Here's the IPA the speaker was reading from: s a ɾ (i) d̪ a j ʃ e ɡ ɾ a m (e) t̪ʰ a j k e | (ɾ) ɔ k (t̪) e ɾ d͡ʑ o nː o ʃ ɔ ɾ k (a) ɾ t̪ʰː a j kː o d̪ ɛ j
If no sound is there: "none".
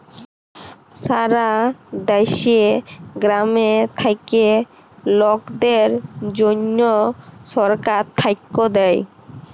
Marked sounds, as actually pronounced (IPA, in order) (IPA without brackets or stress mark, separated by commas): a, e, l, d̪, a